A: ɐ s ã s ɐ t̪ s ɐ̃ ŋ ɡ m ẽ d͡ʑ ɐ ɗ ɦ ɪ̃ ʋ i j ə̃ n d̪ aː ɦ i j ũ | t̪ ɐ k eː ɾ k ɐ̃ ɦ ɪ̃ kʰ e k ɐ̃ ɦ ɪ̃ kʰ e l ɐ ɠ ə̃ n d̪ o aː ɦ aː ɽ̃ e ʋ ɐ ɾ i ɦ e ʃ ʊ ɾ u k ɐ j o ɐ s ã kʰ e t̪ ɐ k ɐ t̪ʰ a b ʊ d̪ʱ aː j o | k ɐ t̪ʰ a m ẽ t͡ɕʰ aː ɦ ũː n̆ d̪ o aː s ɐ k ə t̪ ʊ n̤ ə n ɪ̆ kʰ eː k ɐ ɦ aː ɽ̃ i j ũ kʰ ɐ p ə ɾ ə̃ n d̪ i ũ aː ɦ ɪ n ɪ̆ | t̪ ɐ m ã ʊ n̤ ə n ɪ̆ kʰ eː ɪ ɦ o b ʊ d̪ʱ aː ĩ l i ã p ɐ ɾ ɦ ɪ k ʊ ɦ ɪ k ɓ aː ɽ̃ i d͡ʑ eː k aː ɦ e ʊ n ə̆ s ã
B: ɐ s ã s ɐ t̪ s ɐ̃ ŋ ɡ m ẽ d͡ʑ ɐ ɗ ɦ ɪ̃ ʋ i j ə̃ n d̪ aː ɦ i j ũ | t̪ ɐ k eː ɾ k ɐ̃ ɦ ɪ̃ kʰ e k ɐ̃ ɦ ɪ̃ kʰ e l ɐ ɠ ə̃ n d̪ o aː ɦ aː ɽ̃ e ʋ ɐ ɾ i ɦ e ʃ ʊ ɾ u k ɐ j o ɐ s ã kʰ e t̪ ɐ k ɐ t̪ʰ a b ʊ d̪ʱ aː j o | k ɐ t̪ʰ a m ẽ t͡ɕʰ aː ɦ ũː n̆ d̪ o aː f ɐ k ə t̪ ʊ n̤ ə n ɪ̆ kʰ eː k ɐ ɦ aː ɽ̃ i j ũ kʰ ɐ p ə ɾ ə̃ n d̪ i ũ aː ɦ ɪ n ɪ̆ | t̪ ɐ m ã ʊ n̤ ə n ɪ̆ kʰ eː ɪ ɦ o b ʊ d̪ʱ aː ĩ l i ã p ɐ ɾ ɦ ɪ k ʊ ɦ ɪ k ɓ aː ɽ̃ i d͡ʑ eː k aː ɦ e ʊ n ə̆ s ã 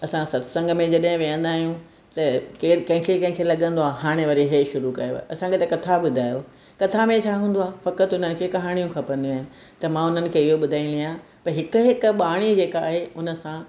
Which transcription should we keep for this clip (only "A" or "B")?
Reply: B